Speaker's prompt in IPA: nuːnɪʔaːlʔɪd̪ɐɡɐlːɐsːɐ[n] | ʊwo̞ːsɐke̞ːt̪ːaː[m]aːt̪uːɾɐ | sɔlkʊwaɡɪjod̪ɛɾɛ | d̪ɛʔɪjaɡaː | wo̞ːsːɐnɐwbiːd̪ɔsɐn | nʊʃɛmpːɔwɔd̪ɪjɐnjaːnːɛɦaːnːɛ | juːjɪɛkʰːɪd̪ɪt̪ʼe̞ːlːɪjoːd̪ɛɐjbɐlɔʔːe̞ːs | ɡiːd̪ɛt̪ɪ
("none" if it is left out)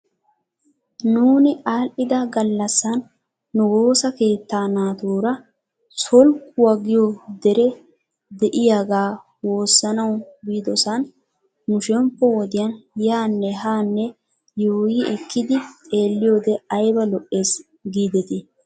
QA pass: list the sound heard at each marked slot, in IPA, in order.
nː, n

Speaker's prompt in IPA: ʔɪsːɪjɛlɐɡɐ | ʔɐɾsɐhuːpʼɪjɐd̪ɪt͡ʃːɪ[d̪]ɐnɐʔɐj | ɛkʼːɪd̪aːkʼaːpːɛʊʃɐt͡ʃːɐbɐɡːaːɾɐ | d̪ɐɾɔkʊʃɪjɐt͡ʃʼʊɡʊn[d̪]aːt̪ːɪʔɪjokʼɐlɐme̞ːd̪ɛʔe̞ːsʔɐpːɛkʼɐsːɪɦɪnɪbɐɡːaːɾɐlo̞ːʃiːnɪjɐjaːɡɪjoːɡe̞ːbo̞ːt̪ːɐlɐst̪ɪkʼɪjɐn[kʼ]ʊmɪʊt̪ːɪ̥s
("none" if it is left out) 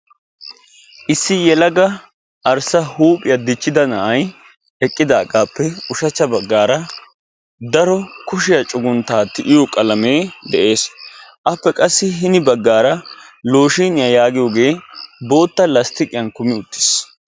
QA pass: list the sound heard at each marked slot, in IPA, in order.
d̪, t̪, k

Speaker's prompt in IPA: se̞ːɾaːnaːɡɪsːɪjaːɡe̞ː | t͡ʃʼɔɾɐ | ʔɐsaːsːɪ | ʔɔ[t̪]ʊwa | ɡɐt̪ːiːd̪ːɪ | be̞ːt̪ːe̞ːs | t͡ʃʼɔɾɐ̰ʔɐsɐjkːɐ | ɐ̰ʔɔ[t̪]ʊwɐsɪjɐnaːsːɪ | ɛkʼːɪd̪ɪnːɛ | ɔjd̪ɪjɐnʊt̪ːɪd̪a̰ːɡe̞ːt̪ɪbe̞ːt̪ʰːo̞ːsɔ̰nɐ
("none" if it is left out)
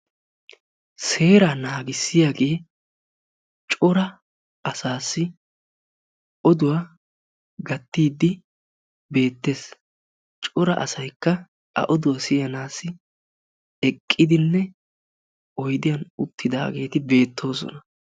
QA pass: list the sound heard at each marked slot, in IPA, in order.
d̪, d̪

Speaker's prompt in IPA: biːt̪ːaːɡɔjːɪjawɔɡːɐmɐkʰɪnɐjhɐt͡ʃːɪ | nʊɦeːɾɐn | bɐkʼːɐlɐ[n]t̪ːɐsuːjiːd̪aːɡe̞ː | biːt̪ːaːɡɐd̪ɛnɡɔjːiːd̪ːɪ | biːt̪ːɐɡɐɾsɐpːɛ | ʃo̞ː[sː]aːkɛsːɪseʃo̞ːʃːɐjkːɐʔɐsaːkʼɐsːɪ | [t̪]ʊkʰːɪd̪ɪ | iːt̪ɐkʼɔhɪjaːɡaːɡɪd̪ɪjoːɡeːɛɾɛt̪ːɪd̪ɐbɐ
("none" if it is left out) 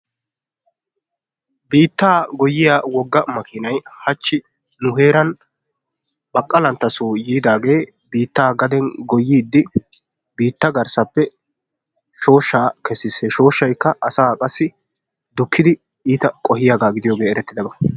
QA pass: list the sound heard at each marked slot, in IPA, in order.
n, ʃː, d̪

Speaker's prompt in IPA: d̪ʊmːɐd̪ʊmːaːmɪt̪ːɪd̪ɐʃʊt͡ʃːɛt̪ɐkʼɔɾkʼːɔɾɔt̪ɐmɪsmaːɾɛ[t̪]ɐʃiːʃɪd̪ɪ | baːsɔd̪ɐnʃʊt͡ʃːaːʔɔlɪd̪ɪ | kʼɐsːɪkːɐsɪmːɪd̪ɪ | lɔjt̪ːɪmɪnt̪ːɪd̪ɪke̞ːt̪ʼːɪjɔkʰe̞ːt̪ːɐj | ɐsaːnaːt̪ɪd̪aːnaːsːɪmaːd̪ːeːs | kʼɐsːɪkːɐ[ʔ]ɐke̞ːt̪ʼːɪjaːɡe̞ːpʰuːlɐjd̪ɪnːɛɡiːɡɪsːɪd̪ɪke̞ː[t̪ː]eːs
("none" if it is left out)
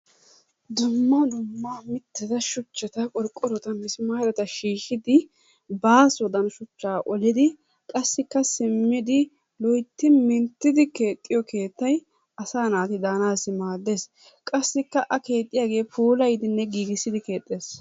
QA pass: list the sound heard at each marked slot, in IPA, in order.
t̪, ʔ, t̪ʼː

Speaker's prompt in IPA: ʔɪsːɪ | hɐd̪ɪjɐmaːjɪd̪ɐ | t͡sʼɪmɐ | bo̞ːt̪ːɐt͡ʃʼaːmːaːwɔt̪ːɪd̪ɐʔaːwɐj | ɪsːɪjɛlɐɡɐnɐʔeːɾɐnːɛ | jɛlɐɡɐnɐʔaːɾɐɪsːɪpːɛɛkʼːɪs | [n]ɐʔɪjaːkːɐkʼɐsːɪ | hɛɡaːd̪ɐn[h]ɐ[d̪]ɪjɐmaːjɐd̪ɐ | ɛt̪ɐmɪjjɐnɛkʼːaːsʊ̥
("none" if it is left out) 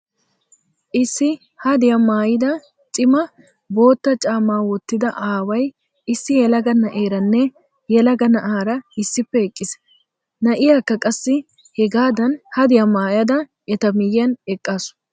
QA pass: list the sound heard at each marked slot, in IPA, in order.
n, h, d̪

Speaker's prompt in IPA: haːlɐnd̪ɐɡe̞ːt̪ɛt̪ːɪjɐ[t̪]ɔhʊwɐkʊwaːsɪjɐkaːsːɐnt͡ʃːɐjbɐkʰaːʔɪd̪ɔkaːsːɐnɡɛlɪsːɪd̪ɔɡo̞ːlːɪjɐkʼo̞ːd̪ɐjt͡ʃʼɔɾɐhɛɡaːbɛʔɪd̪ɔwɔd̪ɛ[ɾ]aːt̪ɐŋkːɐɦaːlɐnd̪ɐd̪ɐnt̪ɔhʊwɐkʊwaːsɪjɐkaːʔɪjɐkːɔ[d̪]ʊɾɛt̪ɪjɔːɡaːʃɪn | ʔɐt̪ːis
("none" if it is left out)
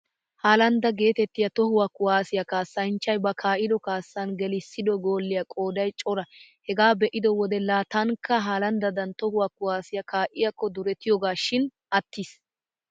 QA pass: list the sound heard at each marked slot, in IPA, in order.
t̪, l, d̪

